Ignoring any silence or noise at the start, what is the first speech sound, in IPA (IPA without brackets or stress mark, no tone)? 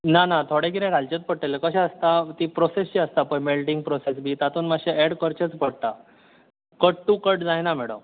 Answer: n